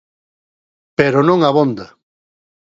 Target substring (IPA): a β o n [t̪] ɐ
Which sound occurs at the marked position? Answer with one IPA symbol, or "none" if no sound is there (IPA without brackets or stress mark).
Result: d̪